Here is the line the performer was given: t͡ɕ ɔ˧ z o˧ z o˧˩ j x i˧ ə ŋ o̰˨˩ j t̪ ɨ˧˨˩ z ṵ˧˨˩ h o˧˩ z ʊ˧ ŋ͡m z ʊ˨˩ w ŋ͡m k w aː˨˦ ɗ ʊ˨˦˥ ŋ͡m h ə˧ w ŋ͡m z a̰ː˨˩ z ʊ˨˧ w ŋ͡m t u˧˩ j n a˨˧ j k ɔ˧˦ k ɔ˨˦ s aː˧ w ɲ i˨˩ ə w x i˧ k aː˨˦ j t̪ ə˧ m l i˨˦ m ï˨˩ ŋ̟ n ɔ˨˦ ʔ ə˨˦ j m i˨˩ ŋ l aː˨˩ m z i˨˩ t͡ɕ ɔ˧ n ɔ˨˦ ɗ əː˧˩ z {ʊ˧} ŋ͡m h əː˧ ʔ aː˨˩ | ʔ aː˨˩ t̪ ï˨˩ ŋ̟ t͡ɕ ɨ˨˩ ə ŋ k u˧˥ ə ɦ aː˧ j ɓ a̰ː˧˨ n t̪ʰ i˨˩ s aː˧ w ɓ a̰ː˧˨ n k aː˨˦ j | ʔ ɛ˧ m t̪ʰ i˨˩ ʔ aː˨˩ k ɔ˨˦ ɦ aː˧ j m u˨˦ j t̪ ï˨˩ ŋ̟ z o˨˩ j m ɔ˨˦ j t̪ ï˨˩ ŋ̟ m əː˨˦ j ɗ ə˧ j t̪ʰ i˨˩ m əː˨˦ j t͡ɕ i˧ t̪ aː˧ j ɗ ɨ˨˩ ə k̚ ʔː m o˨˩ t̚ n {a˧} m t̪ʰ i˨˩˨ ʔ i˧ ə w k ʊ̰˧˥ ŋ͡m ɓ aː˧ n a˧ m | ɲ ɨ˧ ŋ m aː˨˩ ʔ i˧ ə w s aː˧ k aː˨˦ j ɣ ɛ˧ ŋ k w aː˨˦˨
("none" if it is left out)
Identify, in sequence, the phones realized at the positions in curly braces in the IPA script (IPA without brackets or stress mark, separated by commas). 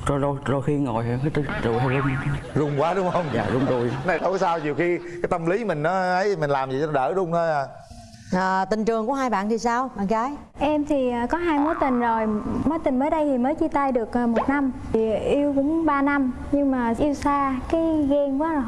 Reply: ʊ˧, a˧